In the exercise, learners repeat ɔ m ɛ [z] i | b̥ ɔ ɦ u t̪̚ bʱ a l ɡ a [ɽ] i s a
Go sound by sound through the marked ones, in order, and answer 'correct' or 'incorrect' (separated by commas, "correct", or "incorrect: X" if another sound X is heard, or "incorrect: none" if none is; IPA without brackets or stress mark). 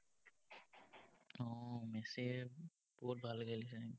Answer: incorrect: s, incorrect: l